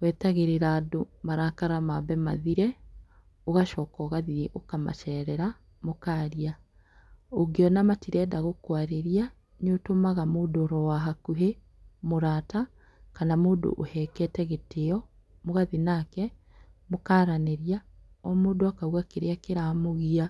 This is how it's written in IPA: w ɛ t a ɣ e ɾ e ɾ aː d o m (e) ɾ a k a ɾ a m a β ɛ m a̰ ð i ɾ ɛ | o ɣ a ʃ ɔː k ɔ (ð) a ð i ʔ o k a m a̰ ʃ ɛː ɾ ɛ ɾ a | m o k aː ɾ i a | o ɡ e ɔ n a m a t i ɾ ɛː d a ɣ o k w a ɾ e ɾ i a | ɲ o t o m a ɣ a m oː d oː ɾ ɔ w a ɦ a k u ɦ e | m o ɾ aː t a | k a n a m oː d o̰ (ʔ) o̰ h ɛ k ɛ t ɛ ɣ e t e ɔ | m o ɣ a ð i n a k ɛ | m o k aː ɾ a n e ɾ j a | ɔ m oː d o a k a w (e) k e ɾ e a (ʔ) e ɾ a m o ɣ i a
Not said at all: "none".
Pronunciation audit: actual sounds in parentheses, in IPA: a, ɣ, ʔ, a, k

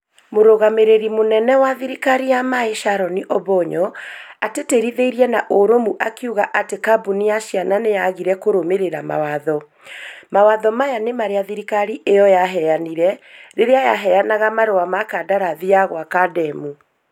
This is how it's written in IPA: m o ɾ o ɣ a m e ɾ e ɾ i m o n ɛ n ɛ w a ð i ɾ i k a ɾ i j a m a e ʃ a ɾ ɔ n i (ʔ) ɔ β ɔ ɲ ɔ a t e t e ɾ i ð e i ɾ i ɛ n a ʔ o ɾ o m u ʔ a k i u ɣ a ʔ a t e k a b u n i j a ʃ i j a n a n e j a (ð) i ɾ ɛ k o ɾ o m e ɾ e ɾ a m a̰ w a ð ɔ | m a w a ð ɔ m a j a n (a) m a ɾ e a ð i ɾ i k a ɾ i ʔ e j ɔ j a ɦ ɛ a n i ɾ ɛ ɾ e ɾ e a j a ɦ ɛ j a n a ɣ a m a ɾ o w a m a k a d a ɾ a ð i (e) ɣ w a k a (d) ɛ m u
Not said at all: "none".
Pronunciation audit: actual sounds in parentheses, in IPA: ʔ, ɣ, e, a, d

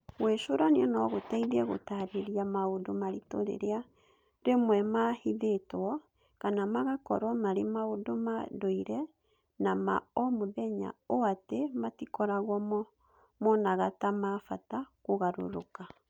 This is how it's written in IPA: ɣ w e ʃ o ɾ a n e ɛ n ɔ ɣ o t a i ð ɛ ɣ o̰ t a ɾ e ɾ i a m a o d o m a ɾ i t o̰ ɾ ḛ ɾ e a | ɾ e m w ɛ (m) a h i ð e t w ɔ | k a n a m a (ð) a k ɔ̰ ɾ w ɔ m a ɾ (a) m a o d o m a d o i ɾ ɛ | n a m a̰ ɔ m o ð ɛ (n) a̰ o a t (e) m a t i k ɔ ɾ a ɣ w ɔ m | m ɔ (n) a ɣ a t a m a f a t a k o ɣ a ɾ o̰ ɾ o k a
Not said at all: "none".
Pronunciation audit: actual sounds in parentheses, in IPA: m, ɣ, e, ɲ, e, n

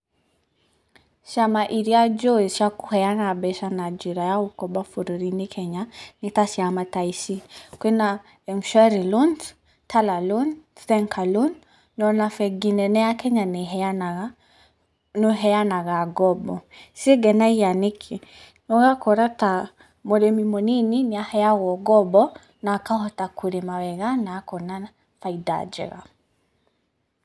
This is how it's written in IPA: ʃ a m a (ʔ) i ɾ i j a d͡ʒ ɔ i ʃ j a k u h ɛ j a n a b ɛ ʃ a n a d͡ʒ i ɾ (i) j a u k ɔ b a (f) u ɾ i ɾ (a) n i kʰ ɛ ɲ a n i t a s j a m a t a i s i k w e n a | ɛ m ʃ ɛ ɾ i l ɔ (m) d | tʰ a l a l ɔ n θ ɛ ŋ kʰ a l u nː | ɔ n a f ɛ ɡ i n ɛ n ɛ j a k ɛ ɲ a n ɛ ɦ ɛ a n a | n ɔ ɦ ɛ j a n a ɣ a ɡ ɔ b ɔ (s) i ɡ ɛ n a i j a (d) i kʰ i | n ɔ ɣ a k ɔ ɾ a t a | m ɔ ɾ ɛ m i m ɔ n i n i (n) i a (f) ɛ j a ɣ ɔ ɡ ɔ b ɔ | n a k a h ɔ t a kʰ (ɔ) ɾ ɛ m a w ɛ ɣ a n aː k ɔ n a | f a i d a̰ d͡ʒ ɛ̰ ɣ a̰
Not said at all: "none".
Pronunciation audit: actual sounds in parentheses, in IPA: ʔ, a, f, i, n, s, n, n, h, u

